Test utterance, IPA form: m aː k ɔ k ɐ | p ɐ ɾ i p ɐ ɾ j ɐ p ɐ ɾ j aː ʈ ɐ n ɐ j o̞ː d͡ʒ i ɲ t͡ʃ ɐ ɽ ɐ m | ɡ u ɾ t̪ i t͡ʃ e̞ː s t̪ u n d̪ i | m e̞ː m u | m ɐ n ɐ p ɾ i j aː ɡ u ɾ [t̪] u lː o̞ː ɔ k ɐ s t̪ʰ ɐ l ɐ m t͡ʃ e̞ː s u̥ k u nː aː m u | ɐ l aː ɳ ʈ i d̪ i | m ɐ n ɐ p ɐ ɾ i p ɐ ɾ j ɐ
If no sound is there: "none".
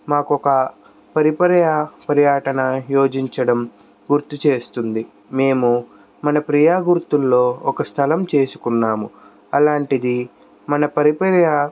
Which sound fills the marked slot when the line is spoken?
t̪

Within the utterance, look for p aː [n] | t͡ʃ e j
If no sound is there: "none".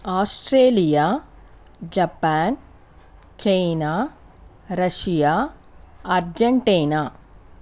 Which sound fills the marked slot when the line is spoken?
n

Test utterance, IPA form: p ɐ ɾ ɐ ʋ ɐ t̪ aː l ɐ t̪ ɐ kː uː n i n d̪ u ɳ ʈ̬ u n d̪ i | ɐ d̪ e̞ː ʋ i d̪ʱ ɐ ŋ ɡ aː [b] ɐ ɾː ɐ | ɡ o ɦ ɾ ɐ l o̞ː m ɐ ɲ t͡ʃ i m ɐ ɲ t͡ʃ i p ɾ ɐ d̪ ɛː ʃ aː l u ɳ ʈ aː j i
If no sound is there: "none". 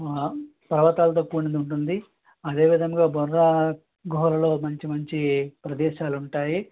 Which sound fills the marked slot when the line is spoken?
b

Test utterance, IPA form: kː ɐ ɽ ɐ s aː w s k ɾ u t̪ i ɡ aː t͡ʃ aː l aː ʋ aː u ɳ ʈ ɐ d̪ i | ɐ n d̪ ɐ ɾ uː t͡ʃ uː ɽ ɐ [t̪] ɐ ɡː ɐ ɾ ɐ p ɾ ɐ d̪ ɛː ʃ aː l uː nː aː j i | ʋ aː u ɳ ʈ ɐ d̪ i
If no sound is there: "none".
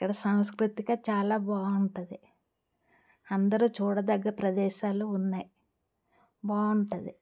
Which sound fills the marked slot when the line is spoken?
d̪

